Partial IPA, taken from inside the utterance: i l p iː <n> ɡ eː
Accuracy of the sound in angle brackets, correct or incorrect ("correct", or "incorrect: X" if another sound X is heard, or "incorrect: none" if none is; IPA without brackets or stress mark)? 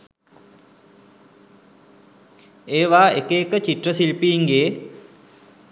incorrect: ŋ